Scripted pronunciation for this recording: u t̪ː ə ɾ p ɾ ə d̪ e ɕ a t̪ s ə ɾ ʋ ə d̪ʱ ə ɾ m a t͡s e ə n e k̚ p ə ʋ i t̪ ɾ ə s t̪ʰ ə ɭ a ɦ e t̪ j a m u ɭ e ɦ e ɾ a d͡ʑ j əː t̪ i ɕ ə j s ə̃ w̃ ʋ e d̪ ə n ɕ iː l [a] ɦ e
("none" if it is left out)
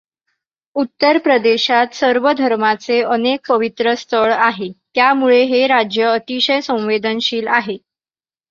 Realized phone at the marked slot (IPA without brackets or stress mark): a